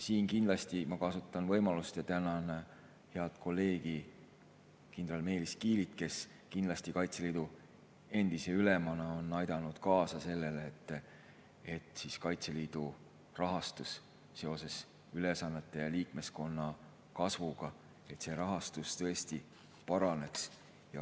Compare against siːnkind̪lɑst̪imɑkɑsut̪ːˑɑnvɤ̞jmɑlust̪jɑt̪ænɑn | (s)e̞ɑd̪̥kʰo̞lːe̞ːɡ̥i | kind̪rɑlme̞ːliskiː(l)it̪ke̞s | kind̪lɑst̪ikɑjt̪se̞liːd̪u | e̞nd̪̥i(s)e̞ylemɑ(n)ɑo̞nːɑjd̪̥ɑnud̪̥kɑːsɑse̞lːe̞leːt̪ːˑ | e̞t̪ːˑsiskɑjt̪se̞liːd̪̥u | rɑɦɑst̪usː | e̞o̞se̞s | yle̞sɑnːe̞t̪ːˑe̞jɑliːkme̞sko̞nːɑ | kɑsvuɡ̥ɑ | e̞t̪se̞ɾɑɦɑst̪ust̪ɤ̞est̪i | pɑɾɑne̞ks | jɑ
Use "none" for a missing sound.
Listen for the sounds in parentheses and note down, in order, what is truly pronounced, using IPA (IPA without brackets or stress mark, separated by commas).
h, l, s, n